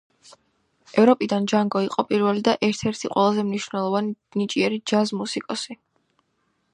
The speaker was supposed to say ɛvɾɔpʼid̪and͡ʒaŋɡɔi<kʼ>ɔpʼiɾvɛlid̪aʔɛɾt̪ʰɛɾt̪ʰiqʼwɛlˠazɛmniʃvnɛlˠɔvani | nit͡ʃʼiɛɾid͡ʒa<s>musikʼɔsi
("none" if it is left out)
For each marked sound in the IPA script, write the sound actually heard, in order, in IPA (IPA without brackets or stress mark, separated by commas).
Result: qʼ, z